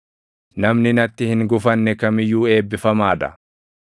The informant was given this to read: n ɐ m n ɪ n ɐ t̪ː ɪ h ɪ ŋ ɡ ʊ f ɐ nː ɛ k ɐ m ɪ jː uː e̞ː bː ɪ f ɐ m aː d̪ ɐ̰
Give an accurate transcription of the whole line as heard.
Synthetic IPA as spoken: n ɐ m n ɪ n ɐ t̪ː ɪ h ɪ ŋ ɡ ʊ f ɐ nː ɛ k ɐ m ɪ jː uː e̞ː bː ɪ f ɐ m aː d̪ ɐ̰